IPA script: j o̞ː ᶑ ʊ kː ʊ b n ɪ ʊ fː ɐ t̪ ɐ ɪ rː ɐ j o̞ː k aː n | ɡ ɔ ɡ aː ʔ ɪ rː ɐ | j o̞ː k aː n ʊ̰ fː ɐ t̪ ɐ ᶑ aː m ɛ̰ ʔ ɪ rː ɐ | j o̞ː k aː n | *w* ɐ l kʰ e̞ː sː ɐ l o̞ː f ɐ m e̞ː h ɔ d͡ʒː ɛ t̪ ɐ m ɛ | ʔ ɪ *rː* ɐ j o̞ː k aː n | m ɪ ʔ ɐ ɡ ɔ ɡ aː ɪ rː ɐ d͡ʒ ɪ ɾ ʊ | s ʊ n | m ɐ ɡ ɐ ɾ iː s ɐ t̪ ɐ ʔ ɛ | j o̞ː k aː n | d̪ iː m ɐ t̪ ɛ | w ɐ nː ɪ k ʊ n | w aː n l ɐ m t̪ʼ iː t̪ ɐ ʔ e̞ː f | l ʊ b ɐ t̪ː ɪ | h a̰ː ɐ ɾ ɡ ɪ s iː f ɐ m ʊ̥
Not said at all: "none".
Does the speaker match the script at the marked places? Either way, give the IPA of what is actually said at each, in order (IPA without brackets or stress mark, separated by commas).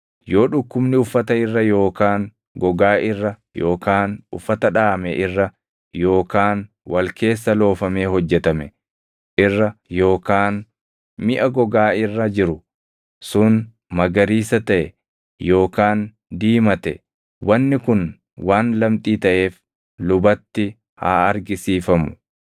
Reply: w, rː